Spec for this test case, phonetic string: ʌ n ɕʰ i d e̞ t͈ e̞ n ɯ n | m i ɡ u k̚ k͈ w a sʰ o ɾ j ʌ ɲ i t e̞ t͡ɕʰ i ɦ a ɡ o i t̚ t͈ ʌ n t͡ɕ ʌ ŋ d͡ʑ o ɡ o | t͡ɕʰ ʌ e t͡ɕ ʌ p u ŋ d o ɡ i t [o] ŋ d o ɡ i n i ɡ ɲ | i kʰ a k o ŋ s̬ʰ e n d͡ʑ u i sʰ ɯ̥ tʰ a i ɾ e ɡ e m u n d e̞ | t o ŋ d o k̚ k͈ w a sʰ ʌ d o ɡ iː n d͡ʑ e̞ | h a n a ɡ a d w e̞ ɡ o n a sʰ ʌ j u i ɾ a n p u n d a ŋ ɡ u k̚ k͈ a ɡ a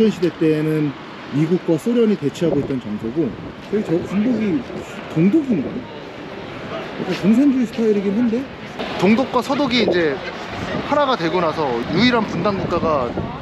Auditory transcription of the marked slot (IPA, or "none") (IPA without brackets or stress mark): o